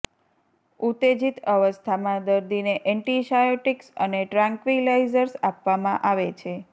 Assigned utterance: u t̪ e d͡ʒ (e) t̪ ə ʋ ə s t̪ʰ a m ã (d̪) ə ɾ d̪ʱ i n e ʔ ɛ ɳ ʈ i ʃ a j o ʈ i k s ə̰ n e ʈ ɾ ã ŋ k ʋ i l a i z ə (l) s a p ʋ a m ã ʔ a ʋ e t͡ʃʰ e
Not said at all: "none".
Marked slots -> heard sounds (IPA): i, d̪, ɾ

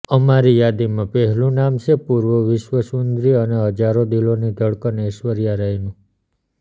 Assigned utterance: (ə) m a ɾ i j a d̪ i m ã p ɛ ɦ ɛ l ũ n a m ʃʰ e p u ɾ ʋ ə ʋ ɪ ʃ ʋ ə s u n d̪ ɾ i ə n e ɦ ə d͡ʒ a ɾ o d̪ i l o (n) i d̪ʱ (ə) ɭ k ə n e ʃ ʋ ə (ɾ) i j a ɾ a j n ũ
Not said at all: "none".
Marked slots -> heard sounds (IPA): ə, n, ə, ɾ

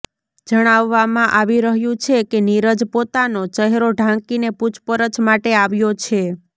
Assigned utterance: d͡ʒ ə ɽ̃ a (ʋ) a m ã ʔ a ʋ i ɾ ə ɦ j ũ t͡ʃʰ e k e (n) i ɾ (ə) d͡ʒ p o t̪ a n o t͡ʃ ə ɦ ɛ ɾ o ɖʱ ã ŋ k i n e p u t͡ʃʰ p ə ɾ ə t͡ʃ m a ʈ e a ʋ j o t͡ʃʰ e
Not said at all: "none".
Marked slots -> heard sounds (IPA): ʋː, n, ə

